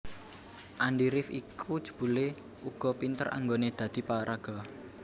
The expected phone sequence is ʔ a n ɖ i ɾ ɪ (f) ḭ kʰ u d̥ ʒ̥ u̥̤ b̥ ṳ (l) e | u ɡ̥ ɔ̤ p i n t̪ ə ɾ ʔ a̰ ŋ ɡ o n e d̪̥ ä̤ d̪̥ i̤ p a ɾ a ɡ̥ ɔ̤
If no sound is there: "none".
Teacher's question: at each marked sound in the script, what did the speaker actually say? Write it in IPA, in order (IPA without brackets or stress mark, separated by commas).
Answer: f, l